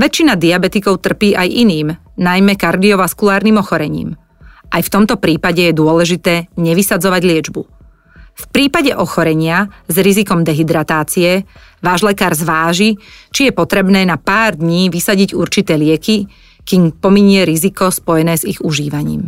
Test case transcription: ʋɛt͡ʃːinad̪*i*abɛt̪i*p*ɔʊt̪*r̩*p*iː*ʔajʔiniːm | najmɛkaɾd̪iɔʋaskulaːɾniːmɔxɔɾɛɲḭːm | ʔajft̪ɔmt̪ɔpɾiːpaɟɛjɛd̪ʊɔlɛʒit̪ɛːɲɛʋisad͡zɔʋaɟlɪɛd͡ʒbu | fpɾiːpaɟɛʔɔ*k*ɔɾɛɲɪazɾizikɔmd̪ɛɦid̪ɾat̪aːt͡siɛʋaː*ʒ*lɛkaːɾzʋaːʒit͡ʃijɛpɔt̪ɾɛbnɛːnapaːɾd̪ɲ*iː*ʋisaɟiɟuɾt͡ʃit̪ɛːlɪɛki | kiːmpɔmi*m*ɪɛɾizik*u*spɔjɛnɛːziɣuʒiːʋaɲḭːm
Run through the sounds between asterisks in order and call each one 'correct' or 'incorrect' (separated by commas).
correct, incorrect, correct, correct, incorrect, correct, correct, incorrect, incorrect